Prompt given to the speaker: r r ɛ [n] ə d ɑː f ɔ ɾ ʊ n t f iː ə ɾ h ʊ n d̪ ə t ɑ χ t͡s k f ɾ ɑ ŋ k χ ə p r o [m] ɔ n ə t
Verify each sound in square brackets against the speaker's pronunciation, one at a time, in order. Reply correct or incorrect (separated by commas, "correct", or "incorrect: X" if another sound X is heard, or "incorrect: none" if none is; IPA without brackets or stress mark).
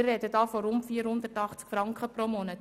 incorrect: d, correct